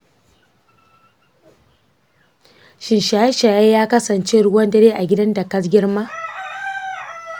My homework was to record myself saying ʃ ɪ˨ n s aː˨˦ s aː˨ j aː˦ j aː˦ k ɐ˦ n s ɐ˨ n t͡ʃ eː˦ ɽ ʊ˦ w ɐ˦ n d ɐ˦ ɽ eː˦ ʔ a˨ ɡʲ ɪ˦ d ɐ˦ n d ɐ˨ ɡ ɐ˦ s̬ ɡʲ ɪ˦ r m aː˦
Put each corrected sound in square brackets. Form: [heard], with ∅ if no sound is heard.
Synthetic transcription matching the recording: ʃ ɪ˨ n [ʃ] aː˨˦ [ʃ] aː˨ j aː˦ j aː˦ k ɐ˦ [∅] s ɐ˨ n t͡ʃ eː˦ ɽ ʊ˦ w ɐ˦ n d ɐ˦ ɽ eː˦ ʔ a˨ ɡʲ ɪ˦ d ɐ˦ n d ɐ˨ [k] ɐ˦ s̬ ɡʲ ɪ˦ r m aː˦

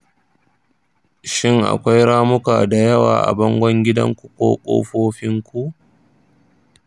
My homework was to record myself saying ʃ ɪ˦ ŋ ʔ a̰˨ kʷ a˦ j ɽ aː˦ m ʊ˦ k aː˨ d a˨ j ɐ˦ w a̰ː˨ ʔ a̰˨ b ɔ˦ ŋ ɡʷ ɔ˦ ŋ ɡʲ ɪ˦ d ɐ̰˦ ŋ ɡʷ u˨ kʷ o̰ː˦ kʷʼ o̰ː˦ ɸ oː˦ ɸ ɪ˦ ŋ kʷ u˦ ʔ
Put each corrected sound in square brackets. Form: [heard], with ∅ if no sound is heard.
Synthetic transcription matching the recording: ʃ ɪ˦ ŋ ʔ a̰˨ kʷ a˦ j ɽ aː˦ m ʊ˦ k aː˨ d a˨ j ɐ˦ w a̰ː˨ ʔ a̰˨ b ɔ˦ ŋ ɡʷ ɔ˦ ŋ ɡʲ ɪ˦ d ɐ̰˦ ŋ [kʷ] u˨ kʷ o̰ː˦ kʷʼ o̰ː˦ ɸ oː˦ ɸ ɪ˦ ŋ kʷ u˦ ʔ

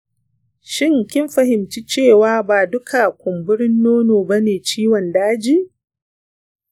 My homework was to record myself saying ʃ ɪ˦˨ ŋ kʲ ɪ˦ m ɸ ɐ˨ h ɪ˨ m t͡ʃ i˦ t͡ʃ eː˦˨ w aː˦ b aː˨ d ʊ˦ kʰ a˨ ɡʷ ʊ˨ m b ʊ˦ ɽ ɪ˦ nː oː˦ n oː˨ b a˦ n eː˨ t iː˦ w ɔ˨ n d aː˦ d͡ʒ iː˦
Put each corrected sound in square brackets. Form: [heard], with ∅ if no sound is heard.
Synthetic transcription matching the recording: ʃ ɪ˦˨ ŋ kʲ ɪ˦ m ɸ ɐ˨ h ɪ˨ m t͡ʃ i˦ t͡ʃ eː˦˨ w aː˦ b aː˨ d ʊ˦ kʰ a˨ [kʷ] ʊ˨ m b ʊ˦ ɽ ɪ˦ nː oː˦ n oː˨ b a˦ n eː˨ [t͡ʃ] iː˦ w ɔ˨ n d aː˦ d͡ʒ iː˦

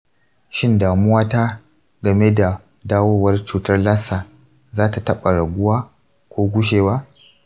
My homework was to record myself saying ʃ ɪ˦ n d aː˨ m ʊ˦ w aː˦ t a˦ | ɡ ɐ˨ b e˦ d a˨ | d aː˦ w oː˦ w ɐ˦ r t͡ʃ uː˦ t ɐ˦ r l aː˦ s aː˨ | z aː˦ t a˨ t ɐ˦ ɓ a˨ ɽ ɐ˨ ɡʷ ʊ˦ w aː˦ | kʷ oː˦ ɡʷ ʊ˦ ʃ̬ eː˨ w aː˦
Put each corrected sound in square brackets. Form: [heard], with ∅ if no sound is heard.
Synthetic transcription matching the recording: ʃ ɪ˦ n d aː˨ m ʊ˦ w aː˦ t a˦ | ɡ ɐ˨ [m] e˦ d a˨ | d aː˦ w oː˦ w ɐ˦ r t͡ʃ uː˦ t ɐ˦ r l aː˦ s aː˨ | z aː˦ t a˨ t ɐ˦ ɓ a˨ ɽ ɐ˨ ɡʷ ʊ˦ w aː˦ | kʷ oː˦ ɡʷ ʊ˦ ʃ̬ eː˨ w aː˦

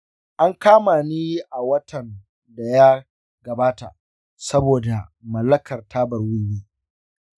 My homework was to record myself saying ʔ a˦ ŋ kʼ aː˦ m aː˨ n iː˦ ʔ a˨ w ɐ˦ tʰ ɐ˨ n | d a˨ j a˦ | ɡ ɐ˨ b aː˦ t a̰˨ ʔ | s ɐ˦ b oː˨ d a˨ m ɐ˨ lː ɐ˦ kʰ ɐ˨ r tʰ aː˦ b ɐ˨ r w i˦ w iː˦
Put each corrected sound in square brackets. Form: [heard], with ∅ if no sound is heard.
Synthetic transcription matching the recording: ʔ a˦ ŋ [k] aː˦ m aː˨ n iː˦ ʔ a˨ w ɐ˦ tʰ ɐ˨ n | d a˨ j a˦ | ɡ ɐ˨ b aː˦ t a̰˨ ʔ | s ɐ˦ b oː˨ d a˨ m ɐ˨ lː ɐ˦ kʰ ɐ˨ r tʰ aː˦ b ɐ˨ r w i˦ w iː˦

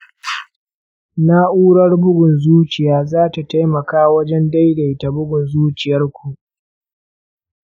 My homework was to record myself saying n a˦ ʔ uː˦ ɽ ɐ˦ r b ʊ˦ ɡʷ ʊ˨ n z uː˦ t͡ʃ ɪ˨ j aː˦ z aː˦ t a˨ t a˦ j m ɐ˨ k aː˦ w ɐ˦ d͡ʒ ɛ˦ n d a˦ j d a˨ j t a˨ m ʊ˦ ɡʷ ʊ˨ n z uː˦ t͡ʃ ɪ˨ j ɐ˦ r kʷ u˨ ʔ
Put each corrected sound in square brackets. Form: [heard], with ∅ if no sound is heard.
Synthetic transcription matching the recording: n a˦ ʔ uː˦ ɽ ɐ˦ r b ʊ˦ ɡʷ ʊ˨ n z uː˦ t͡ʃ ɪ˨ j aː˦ z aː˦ t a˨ t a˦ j m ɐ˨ k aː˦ w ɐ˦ d͡ʒ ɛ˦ n d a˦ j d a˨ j t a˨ [b] ʊ˦ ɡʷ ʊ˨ n z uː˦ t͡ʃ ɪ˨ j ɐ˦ r kʷ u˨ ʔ

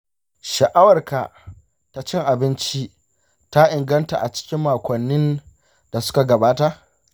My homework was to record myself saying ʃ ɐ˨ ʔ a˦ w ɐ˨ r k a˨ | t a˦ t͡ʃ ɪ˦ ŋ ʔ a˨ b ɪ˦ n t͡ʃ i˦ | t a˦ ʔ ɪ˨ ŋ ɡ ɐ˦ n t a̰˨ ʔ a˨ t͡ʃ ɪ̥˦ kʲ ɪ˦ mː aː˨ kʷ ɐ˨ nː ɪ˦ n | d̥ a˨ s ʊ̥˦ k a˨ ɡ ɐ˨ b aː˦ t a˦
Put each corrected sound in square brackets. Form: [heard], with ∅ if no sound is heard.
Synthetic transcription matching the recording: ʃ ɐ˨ ʔ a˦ w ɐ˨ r k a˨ | t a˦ t͡ʃ ɪ˦ ŋ ʔ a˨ b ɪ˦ n t͡ʃ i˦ | t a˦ ʔ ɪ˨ ŋ ɡ ɐ˦ n t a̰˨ ʔ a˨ t͡ʃ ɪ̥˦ kʲ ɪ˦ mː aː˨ kʷ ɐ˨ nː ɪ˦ n | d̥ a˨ s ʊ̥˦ k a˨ ɡ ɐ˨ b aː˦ t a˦

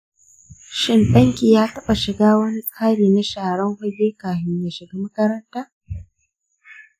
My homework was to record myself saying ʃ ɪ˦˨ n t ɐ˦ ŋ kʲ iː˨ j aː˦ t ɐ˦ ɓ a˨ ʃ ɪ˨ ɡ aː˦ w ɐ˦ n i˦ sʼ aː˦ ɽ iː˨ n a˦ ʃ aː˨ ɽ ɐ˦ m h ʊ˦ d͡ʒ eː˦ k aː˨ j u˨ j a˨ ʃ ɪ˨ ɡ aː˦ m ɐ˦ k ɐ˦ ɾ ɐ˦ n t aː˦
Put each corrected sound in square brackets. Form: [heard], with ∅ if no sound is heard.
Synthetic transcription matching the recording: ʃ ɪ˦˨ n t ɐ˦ ŋ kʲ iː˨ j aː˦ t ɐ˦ ɓ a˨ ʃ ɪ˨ ɡ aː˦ w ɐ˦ n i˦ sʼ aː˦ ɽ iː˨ n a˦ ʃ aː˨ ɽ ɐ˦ [ŋ] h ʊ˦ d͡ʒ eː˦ k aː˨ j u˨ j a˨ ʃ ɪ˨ ɡ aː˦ m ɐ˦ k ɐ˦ ɾ ɐ˦ n t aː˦

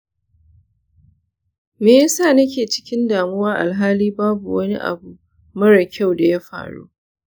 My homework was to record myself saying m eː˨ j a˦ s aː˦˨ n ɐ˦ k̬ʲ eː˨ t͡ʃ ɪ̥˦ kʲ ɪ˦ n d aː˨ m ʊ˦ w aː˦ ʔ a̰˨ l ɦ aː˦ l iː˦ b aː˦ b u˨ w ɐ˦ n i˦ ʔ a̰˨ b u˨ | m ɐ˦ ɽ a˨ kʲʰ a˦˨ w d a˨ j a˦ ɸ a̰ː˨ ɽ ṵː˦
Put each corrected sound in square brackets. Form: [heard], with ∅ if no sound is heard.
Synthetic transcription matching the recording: m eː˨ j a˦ s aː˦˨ n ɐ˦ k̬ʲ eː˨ t͡ʃ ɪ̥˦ kʲ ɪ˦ n d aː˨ m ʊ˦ w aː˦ ʔ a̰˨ l ɦ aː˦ l iː˦ b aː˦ b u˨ w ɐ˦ n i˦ ʔ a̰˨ b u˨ | m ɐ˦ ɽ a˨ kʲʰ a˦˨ w d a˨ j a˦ ɸ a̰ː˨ ɽ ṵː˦

